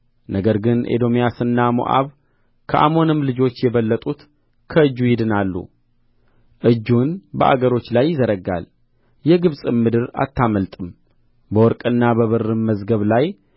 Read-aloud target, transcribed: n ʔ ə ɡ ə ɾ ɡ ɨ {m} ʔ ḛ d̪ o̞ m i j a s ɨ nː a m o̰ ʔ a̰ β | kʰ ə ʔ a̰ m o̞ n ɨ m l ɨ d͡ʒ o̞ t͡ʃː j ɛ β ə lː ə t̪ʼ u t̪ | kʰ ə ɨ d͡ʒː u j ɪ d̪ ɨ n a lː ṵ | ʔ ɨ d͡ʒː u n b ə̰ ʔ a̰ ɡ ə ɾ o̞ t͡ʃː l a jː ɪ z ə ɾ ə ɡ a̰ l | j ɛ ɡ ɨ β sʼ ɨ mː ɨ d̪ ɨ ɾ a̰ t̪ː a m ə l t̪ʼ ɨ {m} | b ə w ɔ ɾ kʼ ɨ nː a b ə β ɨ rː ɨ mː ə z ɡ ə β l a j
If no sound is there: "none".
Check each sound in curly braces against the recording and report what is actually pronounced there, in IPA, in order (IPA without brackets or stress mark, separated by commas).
n, m